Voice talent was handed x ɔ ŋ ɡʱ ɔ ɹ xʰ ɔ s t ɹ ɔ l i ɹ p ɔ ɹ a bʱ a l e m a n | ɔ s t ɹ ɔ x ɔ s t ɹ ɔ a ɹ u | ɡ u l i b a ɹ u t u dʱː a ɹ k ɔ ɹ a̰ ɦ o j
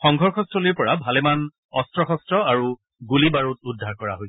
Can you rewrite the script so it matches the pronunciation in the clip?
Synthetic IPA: x ɔ ŋ ɡʱ ɔ ɹ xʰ ɔ s t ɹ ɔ l i ɹ p ɔ ɹ a bʱ a l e m a n | ɔ s t ɹ ɔ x ɔ s t ɹ ɔ a ɹ u | ɡ u l i b a ɹ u t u dʱː a ɹ k ɔ ɹ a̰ ɦ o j